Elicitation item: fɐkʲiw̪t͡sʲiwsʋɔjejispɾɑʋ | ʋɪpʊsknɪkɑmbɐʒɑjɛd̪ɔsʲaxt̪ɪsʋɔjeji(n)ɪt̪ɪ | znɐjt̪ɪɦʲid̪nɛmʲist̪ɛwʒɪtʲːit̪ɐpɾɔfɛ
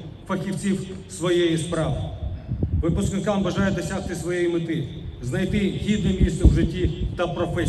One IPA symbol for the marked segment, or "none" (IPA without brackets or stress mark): m